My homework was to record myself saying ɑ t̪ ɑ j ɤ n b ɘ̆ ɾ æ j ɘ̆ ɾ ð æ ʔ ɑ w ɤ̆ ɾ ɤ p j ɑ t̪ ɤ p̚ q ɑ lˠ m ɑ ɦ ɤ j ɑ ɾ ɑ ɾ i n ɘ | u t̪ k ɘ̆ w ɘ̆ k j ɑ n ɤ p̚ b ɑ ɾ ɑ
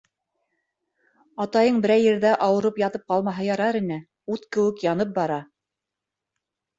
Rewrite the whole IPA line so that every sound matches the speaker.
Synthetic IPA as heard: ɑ t̪ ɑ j ɤ ɴ b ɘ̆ ɾ æ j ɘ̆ ɾ ð æ ʔ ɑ w ɤ̆ ɾ ɤ p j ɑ t̪ ɤ p̚ q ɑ lˠ m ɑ ɦ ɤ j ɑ ɾ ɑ ɾ i n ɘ | u t̪ k ɘ̆ w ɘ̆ k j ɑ n ɤ p̚ b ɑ ɾ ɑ